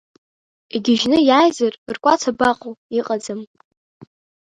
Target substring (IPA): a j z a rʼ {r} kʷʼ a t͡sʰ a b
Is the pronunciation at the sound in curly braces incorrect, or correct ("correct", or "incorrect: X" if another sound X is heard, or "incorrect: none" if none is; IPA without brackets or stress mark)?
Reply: correct